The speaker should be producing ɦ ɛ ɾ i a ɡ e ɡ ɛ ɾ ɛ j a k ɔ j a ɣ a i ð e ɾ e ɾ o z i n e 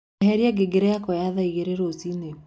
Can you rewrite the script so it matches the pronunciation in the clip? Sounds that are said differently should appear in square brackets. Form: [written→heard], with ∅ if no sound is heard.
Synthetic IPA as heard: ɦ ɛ ɾ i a ɡ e ɡ [ɛ→e] ɾ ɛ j a k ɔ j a [ɣ→ð] a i [ð→ɣ] e ɾ e ɾ o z i n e